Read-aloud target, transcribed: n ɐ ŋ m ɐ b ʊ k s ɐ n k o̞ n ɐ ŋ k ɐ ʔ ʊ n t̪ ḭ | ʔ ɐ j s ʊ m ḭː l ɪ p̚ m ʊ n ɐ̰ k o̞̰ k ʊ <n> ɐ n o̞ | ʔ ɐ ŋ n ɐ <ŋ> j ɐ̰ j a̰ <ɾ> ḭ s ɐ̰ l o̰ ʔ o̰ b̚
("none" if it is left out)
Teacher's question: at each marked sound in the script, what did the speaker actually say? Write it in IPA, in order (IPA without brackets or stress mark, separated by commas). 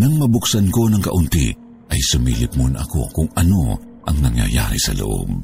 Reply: ŋ, ŋ, ɾ